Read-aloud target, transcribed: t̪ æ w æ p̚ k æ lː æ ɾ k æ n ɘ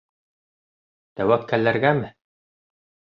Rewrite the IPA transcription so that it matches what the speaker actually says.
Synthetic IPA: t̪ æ w æ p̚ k æ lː æ ɾ ɡ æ m ɘ

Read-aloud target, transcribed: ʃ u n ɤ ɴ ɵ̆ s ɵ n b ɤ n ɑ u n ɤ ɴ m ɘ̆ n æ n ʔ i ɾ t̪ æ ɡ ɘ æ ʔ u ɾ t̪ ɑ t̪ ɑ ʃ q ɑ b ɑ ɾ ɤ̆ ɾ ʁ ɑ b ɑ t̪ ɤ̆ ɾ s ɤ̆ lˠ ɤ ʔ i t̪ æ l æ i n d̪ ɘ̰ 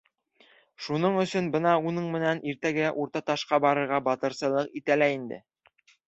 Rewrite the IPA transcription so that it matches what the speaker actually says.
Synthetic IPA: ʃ u n ɤ ɴ ɵ̆ s ɵ n b ɤ n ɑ u n ɤ ɴ m ɘ̆ n æ n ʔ i ɾ t̪ æ ɡ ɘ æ ʔ u ɾ t̪ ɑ t̪ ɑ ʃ q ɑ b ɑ ɾ ɤ̆ ɾ ʁ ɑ b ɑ t̪ ɤ̆ ɾ s ɤ̆ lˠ ɤ q i t̪ æ l æ i n d̪ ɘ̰

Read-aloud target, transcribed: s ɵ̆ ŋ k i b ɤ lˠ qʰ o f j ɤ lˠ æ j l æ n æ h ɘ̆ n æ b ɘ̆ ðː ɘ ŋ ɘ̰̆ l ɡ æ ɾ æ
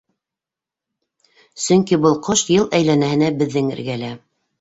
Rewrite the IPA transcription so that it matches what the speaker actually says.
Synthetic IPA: s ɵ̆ ŋ k i b ɤ lˠ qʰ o ʃ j ɤ lˠ æ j l æ n æ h ɘ̆ n æ b ɘ̆ ðː ɘ ŋ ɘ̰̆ ɾ ɡ æ l æ

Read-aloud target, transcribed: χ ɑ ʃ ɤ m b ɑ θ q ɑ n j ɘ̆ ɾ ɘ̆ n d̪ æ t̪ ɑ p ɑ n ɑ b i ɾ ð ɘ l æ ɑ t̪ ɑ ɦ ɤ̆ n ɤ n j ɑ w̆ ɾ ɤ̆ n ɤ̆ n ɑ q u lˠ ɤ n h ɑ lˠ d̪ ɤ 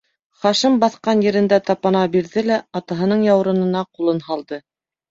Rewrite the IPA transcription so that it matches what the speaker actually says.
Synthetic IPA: χ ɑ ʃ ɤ m b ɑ θ q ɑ n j ɘ̆ ɾ ɘ̆ n d̪ æ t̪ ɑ p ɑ n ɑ b i ɾ ð ɘ l æ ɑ t̪ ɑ ɦ ɤ̆ n ɤ ɴ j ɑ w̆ ɾ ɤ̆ n ɤ̆ n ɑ q u lˠ ɤ n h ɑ lˠ d̪ ɤ

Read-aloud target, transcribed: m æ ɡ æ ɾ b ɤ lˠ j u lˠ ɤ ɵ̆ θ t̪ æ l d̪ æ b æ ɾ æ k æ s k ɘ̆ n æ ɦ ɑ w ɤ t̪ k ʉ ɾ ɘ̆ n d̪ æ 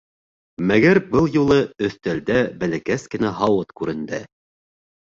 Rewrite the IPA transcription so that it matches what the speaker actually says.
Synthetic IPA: m æ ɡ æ ɾ b ɤ lˠ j u lˠ ɤ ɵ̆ θ t̪ æ l d̪ æ b æ l æ k æ s k ɘ̆ n æ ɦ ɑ w ɤ t̪ k ʉ ɾ ɘ̆ n d̪ æ

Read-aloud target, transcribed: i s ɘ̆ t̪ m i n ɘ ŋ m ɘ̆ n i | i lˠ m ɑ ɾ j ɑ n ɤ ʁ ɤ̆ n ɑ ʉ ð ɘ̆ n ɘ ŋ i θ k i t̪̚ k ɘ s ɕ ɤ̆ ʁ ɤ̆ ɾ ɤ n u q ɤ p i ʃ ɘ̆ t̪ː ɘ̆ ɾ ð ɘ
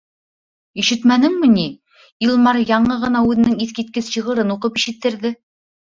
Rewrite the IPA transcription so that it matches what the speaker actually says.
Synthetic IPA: i ʃ ɘ̆ t̪ m æ n ɘ ŋ m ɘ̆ n i | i lˠ m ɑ ɾ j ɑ ɴ ɤ ʁ ɤ̆ n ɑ ʉ ð ɘ̆ n ɘ ŋ i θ k i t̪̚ k ɘ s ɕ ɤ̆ ʁ ɤ̆ ɾ ɤ n u q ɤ p i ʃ ɘ̆ t̪ː ɘ̆ ɾ ð ɘ

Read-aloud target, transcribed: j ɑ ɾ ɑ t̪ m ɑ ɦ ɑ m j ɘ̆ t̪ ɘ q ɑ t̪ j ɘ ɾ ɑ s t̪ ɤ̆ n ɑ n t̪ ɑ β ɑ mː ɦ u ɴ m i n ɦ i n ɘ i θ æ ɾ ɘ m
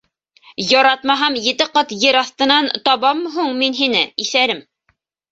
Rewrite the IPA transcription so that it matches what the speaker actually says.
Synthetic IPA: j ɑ ɾ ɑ t̪ m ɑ ɦ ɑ m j ɘ̆ t̪ ɘ q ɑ t̪ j ɘ ɾ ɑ θ t̪ ɤ̆ n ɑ n t̪ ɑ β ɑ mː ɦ u ɴ m i n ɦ i n ɘ i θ æ ɾ ɘ m

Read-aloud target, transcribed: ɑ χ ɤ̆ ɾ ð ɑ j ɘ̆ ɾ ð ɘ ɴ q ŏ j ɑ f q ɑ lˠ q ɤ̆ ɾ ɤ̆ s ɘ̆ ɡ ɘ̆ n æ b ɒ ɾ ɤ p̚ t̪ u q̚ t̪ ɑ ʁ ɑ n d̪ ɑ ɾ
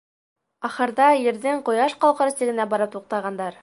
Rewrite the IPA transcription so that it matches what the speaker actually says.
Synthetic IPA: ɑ χ ɤ̆ ɾ ð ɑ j ɘ̆ ɾ ð ɘ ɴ q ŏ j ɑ ʃ q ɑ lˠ q ɤ̆ ɾ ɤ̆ s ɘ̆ ɡ ɘ̆ n æ b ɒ ɾ ɤ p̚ t̪ u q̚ t̪ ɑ ʁ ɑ n d̪ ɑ ɾ

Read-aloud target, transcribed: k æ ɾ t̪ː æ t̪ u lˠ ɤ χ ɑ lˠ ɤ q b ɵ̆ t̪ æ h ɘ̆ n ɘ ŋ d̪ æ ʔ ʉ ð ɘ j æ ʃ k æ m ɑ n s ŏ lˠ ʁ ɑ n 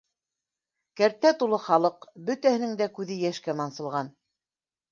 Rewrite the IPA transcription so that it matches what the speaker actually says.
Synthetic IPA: k æ ɾ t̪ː æ t̪ u lˠ ɤ χ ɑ lˠ ɤ q b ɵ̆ t̪ æ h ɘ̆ n ɘ ŋ d̪ æ k ʉ ð ɘ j æ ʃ k æ m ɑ n s ɤ̆ lˠ ʁ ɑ n

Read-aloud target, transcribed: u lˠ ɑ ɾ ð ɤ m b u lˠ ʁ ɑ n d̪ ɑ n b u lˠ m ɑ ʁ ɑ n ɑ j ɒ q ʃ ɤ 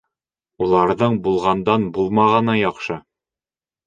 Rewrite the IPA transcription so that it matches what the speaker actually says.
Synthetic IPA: u lˠ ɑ ɾ ð ɤ ɴ b u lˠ ʁ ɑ n d̪ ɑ n b u lˠ m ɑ ʁ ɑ n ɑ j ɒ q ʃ ɤ

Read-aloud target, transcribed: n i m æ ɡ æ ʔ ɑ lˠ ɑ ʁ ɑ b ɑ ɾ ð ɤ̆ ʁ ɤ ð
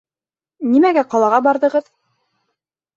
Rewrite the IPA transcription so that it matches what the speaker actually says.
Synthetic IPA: n i m æ ɡ æ q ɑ lˠ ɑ ʁ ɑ b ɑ ɾ ð ɤ̆ ʁ ɤ ð

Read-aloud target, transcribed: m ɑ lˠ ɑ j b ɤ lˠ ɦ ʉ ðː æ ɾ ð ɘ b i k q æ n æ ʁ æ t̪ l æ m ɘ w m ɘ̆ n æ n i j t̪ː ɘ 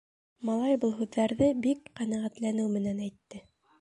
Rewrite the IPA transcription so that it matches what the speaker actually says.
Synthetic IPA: m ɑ lˠ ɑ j b ɤ lˠ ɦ ʉ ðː æ ɾ ð ɘ b i k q æ n æ ʁ æ t̪ l æ n ɘ w m ɘ̆ n æ n æ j t̪ː ɘ

